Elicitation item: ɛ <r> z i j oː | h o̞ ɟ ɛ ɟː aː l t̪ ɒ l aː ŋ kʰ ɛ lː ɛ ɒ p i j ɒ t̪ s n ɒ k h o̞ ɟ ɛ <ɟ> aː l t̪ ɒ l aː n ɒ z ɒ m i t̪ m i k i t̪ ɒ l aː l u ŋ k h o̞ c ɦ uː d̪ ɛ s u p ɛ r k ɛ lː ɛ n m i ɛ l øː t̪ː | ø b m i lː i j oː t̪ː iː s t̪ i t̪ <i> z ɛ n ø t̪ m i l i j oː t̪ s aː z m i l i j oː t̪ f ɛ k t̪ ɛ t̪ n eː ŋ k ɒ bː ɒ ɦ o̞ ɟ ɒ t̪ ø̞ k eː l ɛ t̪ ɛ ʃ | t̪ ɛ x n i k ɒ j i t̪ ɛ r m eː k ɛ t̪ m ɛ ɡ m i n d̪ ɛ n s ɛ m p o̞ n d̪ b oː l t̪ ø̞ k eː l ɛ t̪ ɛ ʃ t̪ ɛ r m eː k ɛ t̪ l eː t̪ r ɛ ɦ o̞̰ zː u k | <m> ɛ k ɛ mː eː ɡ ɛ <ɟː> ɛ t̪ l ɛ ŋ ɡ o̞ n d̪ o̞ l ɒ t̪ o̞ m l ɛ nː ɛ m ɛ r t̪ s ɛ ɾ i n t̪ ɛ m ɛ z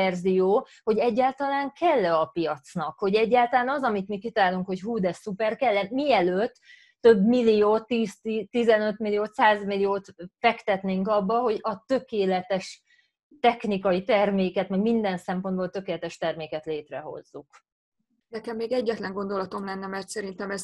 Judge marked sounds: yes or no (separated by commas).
yes, no, yes, no, yes